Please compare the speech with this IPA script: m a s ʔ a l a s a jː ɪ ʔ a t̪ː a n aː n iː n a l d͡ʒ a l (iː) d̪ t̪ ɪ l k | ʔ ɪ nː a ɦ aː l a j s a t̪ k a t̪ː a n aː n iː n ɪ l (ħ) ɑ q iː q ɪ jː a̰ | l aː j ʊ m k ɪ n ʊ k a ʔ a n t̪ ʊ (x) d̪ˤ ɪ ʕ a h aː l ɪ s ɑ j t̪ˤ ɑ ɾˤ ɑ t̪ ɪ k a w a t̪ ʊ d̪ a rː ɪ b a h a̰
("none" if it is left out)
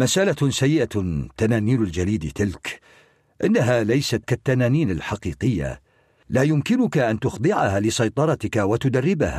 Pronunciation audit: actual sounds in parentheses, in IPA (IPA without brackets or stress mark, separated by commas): iː, ħ, x